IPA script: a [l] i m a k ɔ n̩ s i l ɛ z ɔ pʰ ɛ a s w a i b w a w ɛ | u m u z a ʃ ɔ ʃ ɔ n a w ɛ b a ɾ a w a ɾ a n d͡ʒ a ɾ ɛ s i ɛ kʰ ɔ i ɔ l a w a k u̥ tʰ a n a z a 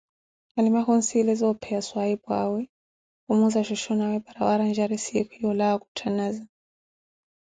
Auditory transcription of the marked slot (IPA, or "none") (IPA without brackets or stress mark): l